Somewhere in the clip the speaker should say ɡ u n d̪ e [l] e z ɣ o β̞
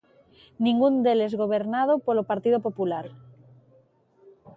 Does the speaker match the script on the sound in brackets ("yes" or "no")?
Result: yes